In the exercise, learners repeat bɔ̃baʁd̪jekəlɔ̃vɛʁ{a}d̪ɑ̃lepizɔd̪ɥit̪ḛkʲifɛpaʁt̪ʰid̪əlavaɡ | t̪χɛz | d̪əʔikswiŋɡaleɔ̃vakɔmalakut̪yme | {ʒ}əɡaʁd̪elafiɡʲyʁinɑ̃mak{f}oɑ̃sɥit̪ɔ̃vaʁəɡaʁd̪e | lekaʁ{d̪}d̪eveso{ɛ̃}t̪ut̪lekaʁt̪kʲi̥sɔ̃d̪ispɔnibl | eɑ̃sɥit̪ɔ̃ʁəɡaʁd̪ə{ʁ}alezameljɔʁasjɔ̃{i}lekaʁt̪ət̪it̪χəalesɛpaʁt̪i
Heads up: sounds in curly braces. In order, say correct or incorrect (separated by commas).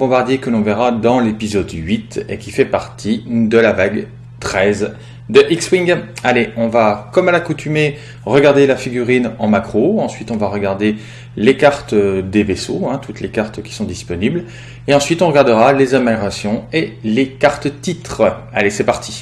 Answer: correct, incorrect, incorrect, incorrect, correct, correct, incorrect